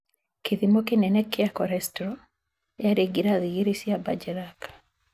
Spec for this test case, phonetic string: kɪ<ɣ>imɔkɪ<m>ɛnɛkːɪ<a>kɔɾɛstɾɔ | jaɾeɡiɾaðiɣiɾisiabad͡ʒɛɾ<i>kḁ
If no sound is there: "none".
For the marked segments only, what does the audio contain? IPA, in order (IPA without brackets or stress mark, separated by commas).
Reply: ð, n, a, a